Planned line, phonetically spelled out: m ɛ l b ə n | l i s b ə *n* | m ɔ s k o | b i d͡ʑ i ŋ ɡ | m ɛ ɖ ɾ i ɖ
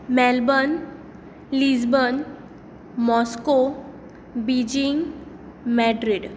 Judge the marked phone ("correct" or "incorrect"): correct